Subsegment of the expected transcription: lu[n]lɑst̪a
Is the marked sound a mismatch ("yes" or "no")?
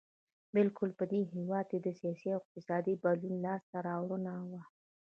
no